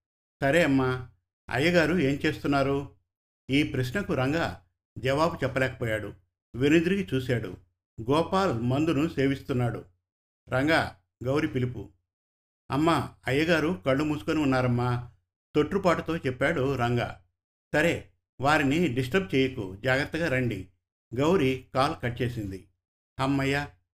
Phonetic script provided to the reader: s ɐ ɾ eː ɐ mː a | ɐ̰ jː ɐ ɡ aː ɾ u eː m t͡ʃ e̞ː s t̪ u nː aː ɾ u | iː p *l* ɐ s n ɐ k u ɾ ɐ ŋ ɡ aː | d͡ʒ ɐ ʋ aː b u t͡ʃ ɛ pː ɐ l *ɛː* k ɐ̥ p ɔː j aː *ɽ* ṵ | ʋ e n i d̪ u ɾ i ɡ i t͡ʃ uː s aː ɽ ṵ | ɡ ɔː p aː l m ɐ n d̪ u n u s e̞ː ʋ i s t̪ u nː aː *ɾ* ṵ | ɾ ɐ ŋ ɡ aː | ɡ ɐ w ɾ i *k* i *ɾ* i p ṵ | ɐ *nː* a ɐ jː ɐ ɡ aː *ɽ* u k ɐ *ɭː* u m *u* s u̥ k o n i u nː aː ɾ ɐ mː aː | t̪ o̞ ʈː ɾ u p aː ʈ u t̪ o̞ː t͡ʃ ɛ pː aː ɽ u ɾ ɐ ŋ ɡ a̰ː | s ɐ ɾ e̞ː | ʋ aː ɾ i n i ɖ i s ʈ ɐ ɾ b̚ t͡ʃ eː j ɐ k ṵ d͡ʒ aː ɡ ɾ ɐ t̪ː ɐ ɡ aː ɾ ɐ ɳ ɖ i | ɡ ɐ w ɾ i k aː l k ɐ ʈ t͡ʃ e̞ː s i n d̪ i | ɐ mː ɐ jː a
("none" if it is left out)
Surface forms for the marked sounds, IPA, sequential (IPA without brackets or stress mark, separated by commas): ɾ, ɛː, ɽ, ɽ, p, l, mː, ɾ, ɭː, uː